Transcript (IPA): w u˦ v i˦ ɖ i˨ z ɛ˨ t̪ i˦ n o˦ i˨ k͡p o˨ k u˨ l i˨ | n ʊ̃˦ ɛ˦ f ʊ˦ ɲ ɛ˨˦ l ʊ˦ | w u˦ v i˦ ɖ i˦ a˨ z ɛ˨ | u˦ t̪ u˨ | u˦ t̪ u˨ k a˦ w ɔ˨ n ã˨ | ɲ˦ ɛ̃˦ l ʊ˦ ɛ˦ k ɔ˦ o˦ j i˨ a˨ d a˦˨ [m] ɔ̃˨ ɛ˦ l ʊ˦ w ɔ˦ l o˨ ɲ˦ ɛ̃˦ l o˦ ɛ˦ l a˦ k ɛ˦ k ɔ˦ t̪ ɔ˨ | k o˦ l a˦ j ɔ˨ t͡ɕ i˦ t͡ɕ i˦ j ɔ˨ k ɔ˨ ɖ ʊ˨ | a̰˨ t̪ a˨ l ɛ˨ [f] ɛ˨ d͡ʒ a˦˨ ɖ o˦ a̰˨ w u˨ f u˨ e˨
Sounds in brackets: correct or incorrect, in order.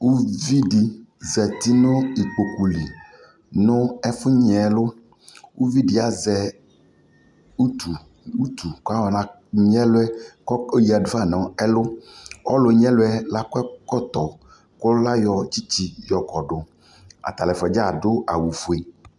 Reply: incorrect, correct

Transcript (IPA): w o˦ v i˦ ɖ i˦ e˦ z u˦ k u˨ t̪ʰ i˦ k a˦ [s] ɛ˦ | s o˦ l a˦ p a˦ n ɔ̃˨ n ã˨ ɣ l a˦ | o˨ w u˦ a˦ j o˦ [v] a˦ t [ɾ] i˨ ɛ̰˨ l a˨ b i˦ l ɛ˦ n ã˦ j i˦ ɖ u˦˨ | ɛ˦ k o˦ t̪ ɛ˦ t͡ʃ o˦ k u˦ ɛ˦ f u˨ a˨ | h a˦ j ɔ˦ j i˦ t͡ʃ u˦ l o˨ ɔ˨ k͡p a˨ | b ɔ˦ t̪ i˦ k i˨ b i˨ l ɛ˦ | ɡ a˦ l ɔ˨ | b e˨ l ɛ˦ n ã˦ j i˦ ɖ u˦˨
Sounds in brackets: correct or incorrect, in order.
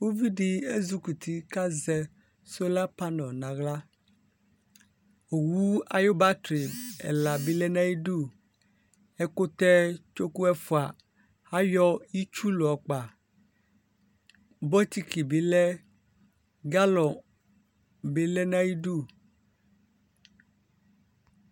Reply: incorrect, incorrect, correct

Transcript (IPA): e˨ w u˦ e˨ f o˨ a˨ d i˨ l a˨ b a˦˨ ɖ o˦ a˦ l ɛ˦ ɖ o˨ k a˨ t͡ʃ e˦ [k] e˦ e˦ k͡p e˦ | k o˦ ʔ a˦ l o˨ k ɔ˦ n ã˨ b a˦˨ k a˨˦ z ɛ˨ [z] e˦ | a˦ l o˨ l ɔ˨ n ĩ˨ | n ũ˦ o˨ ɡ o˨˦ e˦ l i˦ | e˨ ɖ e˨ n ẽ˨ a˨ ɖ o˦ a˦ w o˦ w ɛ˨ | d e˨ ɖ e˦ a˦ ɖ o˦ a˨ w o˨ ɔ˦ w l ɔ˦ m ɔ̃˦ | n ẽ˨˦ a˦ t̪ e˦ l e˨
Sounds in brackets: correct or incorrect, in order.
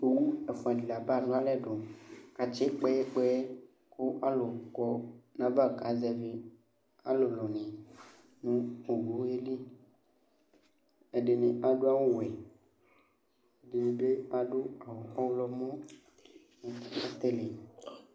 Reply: incorrect, incorrect

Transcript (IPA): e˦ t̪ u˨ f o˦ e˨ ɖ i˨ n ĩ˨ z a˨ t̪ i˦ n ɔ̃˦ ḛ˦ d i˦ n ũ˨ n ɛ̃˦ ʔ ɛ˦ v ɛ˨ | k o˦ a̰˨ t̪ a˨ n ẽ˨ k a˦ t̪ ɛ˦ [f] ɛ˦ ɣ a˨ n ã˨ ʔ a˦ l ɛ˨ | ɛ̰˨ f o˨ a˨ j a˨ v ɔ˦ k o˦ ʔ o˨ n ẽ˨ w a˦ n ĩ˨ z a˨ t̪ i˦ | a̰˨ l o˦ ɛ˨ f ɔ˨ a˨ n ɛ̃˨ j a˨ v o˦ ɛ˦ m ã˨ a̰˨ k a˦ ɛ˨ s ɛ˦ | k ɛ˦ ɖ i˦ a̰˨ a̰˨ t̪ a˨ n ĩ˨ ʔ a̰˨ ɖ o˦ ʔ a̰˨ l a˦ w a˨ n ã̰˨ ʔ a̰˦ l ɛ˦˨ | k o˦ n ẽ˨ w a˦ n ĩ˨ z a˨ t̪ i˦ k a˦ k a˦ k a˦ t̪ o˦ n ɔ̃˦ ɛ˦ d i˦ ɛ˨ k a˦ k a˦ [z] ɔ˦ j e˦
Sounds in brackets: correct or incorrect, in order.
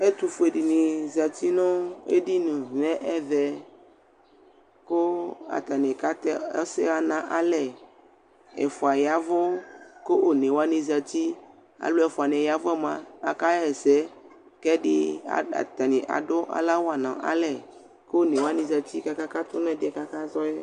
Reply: incorrect, correct

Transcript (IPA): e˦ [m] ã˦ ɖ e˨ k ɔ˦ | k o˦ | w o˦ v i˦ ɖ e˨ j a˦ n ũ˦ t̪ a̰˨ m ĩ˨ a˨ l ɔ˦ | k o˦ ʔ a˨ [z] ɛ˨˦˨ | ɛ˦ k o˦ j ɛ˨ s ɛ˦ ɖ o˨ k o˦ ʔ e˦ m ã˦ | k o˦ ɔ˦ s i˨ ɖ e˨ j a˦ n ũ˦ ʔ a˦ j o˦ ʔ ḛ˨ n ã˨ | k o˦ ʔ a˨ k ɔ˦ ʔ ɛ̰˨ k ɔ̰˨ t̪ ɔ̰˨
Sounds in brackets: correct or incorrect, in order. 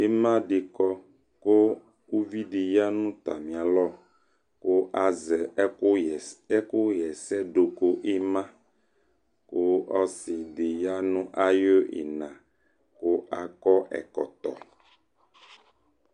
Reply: correct, correct

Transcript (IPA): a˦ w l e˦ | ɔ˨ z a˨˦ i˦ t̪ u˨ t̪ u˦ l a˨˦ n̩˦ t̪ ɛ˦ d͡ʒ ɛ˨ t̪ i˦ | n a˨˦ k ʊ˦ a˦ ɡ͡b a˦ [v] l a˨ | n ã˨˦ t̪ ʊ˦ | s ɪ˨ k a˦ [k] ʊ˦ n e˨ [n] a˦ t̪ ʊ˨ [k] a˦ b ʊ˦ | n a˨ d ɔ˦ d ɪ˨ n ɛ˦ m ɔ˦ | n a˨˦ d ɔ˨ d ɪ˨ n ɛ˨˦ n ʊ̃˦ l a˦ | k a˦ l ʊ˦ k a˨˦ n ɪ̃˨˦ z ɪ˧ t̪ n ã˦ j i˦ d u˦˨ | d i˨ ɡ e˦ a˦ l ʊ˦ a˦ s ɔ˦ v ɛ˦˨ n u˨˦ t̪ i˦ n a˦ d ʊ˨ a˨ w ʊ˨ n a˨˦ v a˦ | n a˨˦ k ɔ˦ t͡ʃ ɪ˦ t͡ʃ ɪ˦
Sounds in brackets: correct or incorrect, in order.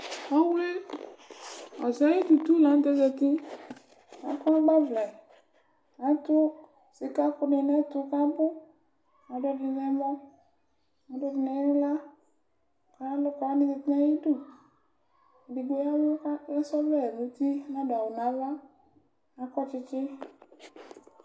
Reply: correct, correct, correct, correct

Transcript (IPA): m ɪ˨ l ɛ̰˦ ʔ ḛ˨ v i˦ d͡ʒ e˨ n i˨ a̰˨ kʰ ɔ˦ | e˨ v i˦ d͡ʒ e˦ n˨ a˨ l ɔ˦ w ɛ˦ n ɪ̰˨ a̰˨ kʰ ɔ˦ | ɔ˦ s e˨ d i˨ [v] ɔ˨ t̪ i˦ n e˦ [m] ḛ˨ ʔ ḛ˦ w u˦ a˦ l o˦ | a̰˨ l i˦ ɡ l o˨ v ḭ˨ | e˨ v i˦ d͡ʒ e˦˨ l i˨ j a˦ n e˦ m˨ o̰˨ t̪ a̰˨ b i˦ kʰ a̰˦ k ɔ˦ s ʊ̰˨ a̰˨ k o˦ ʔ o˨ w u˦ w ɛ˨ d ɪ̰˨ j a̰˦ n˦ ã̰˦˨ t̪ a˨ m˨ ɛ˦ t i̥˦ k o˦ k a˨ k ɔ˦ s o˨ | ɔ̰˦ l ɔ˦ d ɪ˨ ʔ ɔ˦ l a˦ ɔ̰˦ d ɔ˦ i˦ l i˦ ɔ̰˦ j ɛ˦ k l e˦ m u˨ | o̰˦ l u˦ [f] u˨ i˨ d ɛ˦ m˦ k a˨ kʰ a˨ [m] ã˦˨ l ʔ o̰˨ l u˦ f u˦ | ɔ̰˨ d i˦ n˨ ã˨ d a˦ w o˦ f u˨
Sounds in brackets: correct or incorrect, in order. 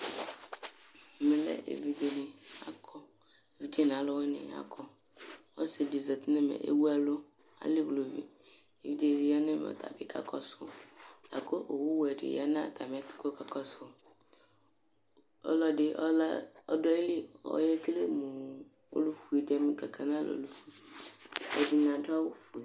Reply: incorrect, correct, correct, incorrect

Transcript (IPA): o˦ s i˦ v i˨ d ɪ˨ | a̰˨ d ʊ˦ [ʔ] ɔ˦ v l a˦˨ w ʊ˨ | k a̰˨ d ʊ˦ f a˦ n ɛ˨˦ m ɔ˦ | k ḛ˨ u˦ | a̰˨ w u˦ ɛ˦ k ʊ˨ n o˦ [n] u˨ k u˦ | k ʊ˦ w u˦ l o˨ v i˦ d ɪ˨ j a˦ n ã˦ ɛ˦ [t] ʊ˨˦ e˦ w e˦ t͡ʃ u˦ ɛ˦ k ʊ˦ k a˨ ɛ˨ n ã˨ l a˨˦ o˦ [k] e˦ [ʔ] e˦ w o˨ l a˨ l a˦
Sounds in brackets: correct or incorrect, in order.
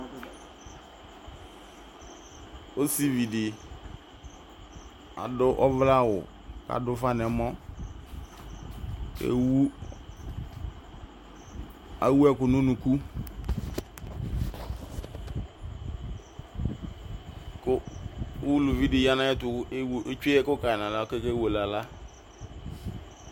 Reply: correct, correct, correct, correct, incorrect

